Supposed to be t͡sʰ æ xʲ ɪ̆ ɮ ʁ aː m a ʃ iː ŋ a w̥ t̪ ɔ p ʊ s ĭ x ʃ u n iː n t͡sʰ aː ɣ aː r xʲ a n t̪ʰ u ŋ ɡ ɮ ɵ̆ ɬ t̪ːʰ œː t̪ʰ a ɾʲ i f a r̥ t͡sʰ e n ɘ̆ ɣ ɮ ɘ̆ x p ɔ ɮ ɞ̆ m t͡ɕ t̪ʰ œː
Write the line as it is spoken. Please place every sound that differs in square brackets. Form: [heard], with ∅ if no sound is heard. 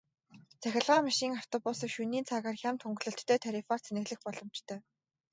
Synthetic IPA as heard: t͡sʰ æ xʲ ɪ̆ ɮ ʁ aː m a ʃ iː ŋ a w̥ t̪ ɔ p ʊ s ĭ [k] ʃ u n iː n t͡sʰ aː ɣ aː r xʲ a [m] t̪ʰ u ŋ ɡ ɮ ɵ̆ ɬ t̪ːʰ œː t̪ʰ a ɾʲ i f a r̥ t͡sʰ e n ɘ̆ ɣ ɮ ɘ̆ x p ɔ ɮ ɞ̆ m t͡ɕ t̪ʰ œː